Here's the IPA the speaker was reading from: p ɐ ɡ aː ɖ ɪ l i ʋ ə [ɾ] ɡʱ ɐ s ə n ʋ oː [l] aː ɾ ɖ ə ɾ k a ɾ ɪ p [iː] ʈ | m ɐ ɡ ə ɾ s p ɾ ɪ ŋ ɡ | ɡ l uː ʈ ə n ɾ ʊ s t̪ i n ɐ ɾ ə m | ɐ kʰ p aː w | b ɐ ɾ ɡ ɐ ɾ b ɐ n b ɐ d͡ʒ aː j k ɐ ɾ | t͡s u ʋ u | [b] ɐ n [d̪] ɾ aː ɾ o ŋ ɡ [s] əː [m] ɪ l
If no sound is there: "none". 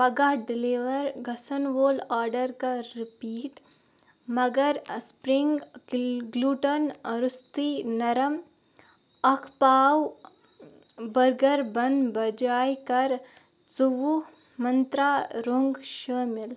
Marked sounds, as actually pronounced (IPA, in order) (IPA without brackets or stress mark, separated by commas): ɾ, l, iː, m, t̪, ʃ, m